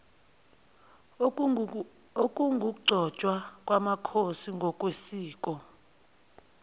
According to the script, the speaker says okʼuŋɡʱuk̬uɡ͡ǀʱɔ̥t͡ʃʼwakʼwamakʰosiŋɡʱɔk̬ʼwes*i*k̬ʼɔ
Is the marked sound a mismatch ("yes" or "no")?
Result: yes